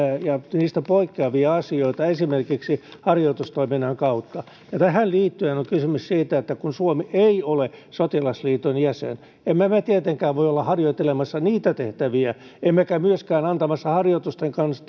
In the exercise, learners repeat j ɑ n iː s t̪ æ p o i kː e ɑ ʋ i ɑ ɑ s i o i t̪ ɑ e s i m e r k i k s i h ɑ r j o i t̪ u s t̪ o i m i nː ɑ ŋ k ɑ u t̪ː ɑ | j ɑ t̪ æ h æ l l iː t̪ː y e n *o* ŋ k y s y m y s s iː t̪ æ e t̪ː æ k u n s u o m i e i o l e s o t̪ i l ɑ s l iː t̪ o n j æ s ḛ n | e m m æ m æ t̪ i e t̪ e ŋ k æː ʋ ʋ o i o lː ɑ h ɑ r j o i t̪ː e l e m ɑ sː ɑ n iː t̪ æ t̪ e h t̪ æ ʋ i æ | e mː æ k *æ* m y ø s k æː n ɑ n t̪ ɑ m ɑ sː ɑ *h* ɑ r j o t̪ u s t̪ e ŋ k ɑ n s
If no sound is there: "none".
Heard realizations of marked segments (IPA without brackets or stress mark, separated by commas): o, æ, h